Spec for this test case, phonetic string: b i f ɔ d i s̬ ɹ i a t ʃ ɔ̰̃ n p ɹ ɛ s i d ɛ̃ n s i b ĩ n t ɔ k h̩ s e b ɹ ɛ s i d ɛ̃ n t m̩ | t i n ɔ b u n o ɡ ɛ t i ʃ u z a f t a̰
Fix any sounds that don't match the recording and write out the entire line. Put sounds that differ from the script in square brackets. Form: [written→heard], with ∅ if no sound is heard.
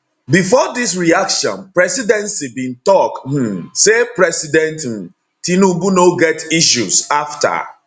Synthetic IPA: b i f ɔ d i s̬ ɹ i a [t→k] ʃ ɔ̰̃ n p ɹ ɛ s i d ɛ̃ n s i b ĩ n t ɔ k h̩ s e [b→p] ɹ ɛ s i d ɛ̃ n t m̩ | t i n [ɔ→u] b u n o ɡ ɛ t i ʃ u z a f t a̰